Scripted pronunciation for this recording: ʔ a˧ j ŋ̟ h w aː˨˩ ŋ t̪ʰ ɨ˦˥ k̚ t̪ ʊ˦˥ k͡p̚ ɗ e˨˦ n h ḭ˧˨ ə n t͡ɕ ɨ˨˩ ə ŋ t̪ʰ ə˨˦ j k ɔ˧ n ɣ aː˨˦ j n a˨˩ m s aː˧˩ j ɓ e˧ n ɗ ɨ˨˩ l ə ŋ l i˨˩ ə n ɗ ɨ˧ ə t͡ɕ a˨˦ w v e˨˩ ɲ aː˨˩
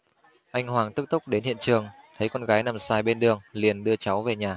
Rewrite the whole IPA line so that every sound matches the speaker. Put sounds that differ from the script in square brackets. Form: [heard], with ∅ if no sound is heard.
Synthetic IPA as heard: ʔ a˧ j ŋ̟ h w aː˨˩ ŋ [t̪] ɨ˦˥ k̚ t̪ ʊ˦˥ k͡p̚ ɗ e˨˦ n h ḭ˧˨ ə n t͡ɕ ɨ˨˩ ə ŋ t̪ʰ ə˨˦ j k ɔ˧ n ɣ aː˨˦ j n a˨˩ m s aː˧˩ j ɓ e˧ n ɗ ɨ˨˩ [∅] ə ŋ l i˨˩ ə n ɗ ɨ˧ ə t͡ɕ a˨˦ w v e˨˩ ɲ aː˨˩